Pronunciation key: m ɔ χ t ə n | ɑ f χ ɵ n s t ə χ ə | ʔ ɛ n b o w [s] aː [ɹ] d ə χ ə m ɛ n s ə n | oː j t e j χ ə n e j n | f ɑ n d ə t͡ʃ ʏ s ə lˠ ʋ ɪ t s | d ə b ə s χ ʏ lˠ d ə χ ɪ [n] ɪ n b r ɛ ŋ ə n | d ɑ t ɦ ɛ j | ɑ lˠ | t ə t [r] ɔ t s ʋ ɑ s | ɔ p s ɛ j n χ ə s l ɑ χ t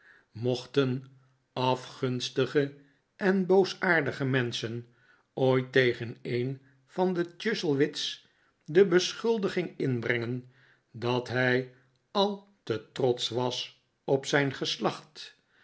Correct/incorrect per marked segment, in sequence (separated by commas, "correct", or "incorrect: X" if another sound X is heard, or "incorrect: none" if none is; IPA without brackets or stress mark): correct, correct, incorrect: ŋ, correct